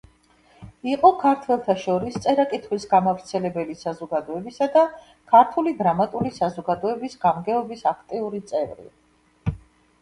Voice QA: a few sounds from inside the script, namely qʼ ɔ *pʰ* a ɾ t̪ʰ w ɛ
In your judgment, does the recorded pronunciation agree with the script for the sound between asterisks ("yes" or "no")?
no